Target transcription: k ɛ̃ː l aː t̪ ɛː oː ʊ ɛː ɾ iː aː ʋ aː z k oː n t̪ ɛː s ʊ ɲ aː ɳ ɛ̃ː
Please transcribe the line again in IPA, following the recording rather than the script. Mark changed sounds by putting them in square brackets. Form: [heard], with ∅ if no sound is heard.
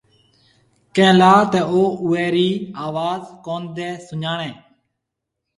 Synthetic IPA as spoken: k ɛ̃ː l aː t̪ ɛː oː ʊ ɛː ɾ iː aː ʋ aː z k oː n [d̪] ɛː s ʊ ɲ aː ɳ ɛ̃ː

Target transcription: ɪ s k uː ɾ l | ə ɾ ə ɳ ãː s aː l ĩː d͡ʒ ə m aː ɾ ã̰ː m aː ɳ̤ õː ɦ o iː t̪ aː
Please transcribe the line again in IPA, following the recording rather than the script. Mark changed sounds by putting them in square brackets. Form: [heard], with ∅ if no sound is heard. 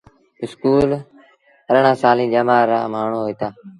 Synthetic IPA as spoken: ɪ s k uː [∅] l | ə ɾ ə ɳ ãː s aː l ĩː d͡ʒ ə m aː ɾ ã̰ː m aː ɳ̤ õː ɦ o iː t̪ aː

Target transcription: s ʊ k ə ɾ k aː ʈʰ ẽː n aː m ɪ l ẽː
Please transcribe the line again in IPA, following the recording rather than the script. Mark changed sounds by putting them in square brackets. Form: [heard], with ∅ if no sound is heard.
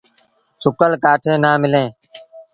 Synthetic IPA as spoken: s ʊ k ə [l] k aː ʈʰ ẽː n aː m ɪ l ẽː

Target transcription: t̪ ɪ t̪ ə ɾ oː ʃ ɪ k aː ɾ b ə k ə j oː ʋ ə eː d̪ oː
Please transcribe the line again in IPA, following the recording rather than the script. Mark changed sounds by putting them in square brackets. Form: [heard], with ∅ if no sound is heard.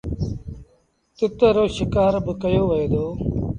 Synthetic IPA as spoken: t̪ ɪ t̪ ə ɾ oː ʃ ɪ k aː ɾ b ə k ə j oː ʋ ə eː d̪ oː

